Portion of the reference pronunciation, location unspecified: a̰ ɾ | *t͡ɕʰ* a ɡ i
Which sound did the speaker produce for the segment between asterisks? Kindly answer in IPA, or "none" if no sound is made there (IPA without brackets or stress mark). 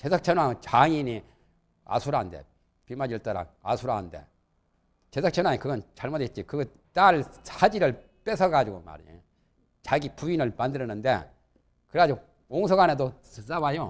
t͡ɕ